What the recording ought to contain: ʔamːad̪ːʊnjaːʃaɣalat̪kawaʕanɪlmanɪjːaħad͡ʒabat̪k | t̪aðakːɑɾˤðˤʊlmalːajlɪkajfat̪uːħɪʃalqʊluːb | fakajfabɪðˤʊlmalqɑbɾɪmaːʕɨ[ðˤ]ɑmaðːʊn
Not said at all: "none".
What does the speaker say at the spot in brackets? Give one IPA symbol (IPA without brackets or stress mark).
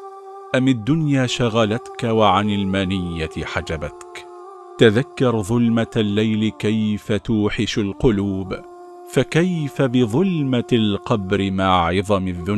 ðˤ